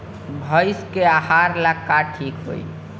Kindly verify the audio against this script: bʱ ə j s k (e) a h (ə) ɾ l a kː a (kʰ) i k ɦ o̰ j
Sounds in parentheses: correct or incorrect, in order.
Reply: correct, incorrect: a, incorrect: ʈʰ

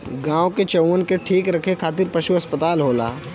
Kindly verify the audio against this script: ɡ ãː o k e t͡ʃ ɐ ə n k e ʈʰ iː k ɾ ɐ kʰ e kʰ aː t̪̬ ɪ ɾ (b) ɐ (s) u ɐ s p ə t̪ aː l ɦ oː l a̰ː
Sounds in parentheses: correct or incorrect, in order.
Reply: incorrect: p, incorrect: ʃ

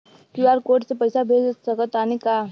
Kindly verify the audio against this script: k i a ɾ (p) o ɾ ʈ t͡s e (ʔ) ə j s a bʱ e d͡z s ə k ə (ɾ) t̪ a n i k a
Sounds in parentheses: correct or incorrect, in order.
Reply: incorrect: k, incorrect: p, incorrect: none

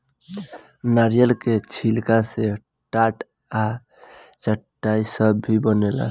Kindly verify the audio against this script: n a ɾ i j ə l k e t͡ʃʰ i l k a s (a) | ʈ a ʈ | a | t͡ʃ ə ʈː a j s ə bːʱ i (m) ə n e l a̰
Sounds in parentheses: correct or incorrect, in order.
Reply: incorrect: e, incorrect: b

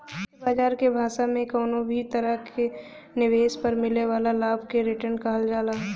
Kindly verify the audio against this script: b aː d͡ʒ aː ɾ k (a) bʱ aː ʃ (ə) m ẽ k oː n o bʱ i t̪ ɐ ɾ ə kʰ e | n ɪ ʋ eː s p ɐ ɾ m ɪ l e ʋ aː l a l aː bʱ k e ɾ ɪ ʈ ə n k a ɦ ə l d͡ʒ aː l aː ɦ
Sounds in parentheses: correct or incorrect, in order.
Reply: incorrect: e, incorrect: a

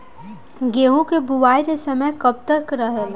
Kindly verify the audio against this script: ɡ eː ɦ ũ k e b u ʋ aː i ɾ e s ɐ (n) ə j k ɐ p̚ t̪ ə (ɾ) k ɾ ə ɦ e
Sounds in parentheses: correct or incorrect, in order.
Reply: incorrect: m, correct

